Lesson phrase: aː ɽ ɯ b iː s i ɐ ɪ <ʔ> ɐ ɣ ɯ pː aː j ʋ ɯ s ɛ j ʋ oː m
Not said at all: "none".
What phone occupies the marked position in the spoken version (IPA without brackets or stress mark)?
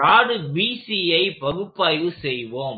p